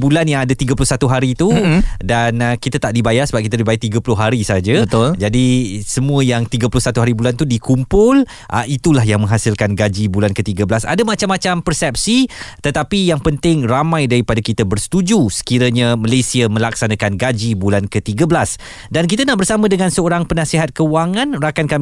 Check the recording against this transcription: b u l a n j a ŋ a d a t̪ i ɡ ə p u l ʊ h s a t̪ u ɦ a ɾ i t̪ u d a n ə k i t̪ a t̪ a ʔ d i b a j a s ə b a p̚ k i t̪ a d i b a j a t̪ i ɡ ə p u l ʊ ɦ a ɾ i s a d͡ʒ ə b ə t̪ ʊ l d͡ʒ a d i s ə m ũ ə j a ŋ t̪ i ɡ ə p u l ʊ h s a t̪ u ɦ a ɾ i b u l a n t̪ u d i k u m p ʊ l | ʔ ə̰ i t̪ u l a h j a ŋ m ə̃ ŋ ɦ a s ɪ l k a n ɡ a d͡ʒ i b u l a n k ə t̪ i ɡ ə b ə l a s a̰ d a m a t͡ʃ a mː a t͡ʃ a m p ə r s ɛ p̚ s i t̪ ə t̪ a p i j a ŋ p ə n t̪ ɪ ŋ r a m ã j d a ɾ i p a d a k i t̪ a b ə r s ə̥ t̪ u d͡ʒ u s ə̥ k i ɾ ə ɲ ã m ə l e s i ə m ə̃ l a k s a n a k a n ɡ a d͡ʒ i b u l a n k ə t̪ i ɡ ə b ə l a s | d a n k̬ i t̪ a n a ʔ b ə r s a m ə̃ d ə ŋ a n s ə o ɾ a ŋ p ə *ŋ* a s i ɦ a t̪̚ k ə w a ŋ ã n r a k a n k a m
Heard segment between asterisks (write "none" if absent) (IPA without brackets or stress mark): n